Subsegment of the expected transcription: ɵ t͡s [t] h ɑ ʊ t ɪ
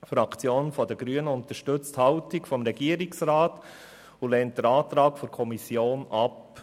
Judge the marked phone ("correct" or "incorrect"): correct